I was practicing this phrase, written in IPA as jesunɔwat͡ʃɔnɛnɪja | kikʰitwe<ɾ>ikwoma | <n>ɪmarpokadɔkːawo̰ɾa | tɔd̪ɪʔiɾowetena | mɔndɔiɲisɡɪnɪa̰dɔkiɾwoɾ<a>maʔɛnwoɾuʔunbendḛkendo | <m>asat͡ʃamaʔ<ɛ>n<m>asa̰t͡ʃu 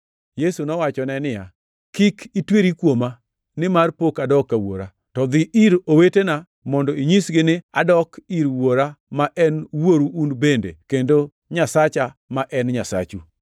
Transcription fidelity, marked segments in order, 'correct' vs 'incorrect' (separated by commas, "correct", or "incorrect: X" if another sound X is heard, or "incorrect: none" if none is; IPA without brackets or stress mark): correct, correct, correct, incorrect: ɲ, correct, incorrect: ɲ